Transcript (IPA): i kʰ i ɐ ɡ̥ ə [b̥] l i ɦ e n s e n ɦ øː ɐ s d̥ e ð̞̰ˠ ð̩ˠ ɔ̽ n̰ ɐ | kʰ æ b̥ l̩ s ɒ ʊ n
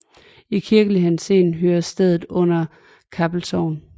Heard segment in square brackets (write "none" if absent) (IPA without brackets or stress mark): none